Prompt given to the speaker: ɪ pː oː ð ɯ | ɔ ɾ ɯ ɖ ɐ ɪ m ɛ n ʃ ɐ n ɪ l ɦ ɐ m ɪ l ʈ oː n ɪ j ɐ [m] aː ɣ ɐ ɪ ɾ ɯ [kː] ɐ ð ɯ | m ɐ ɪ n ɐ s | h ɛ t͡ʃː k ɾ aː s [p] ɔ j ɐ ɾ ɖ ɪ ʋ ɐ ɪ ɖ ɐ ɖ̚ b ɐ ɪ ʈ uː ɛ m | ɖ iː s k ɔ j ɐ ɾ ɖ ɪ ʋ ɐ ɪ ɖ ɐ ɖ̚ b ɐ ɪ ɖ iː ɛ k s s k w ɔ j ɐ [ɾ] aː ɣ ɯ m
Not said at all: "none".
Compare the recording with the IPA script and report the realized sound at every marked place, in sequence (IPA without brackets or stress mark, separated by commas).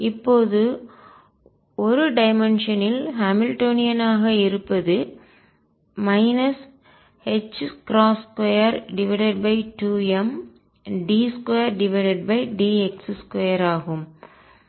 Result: n, pː, k, ɾ